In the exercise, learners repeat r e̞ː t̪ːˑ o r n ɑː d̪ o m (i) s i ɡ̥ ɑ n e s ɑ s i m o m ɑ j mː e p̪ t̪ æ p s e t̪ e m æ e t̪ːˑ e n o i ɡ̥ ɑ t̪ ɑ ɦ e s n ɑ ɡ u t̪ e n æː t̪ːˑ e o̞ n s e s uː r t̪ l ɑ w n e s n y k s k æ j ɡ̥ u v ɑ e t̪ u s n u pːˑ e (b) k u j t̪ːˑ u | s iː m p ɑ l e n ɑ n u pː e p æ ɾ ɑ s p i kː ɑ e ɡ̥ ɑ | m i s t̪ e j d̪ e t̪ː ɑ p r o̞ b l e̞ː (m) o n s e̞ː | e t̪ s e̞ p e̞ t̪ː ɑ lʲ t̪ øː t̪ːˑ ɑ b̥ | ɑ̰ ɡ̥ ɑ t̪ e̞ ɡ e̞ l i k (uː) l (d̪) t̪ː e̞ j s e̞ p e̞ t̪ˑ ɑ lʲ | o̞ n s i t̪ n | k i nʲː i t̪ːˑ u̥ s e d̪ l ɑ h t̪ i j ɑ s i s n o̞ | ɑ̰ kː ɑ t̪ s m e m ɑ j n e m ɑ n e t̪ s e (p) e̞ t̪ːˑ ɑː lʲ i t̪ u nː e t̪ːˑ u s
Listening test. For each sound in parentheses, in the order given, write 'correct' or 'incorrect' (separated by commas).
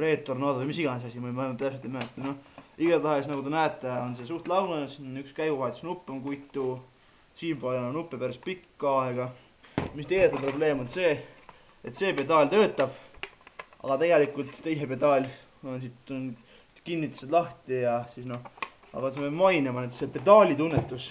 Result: correct, incorrect, correct, incorrect, incorrect, correct